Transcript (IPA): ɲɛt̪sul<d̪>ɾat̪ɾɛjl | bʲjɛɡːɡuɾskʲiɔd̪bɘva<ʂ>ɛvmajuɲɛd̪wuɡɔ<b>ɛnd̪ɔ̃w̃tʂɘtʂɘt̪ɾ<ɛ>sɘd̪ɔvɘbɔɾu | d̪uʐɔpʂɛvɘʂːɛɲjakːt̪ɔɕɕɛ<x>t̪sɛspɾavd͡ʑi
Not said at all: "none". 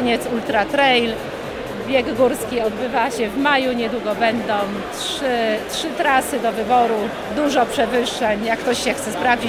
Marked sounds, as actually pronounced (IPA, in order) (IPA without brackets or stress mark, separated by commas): t̪, ɕ, b, a, x